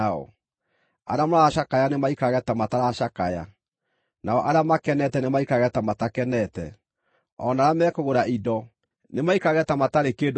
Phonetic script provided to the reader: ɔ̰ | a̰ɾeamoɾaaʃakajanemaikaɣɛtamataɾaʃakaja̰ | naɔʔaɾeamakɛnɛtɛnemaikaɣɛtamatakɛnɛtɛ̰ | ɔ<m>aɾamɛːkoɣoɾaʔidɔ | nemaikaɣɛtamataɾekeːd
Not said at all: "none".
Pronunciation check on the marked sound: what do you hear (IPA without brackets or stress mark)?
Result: n